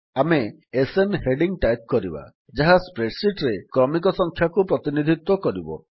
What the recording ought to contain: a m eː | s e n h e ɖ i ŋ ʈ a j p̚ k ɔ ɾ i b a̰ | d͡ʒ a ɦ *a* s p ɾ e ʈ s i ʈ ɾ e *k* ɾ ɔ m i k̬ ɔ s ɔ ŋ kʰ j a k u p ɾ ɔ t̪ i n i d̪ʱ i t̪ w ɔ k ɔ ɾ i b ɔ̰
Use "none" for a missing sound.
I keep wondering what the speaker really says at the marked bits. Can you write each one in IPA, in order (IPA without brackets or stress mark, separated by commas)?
a, k